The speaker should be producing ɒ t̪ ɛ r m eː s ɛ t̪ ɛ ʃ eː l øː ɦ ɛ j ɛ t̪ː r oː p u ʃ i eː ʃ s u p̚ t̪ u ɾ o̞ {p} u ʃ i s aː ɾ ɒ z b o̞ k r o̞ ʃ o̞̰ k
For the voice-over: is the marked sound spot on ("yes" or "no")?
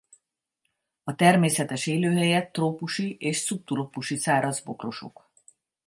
yes